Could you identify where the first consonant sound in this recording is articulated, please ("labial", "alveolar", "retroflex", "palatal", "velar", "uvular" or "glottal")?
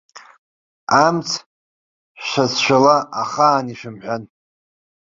labial